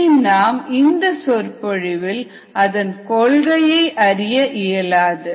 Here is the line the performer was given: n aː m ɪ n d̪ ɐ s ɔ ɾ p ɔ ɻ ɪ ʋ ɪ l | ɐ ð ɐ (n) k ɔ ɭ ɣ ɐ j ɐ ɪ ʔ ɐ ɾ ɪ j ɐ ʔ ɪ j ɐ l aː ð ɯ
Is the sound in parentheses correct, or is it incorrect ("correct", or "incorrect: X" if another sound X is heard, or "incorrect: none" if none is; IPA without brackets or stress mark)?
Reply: correct